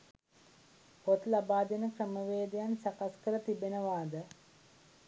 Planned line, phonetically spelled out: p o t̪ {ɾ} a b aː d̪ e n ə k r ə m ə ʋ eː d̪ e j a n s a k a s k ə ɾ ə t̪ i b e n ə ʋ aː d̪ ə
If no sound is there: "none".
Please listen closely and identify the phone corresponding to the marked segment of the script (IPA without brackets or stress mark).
l